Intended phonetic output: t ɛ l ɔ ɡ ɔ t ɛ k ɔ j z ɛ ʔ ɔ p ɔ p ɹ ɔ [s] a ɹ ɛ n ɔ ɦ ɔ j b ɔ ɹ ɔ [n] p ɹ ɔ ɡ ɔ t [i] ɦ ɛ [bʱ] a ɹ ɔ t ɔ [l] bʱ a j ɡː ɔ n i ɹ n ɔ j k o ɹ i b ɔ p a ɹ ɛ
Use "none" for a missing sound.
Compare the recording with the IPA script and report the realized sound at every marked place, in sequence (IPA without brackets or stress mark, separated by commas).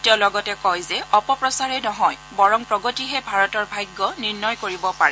s, ŋ, i, bʱ, ɹ